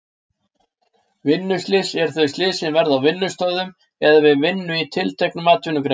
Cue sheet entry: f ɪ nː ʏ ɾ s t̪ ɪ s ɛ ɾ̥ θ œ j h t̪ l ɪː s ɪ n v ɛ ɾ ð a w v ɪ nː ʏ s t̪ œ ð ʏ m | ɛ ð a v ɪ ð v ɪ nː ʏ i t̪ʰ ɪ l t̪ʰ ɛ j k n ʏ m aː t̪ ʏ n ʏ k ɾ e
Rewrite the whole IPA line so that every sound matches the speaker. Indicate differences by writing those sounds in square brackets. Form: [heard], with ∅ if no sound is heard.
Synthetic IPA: [v] ɪ nː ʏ [∅] s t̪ ɪ s ɛ ɾ̥ θ œ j [s] t̪ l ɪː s ɪ n v ɛ ɾ ð a w v ɪ nː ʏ s t̪ œ ð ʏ m | ɛ ð a v ɪ ð v ɪ nː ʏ i t̪ʰ ɪ l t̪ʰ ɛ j k n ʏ m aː t̪ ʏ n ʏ k ɾ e